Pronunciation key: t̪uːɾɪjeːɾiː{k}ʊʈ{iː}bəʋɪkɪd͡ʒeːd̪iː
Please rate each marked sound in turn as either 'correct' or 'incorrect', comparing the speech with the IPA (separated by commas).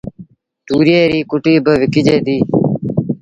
correct, correct